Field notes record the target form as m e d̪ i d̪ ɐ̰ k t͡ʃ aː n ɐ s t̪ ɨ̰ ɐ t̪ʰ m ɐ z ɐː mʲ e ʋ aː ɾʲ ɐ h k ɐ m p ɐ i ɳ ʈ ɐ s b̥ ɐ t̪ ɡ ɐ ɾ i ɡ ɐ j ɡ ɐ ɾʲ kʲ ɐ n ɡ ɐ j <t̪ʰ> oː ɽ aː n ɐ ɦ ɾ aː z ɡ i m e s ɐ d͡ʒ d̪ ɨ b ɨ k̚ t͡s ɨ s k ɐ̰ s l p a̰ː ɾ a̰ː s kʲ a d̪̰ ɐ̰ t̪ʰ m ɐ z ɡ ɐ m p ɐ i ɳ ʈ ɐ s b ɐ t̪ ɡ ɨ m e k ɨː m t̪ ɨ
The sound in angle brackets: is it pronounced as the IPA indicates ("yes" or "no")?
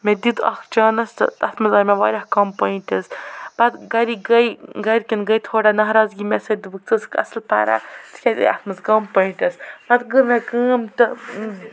yes